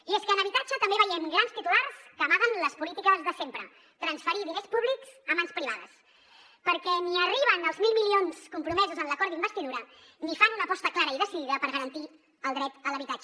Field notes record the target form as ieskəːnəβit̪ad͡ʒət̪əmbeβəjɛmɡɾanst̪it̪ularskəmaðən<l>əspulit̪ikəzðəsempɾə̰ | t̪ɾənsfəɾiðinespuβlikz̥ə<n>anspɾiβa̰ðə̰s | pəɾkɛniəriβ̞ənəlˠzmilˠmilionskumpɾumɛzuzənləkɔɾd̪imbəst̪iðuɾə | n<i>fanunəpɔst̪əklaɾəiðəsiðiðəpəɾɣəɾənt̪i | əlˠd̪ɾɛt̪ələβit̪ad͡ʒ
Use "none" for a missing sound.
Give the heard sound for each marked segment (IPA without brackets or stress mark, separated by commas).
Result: l, m, i